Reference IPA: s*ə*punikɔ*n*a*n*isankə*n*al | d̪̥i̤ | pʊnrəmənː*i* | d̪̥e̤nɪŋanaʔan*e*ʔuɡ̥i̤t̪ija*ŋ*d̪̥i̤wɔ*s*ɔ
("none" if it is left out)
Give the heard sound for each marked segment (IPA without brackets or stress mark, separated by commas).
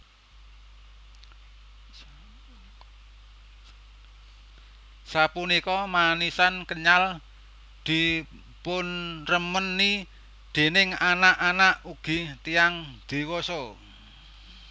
a, m, n, ɲ, i, a, ŋ, s